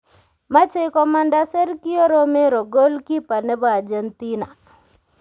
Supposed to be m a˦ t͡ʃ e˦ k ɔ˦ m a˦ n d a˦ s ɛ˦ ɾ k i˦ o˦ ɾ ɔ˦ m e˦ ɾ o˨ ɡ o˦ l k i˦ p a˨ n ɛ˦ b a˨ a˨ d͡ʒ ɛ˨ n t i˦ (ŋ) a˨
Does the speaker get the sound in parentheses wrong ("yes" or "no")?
yes